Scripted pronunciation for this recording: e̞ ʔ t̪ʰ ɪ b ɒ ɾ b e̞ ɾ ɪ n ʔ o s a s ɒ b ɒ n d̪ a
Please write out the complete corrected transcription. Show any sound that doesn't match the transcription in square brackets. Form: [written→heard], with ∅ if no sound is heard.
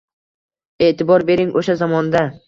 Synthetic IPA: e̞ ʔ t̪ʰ ɪ b ɒ ɾ b e̞ ɾ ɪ [n→ŋ] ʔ o [s→ʃ] a [s→z] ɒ [b→m] ɒ n d̪ a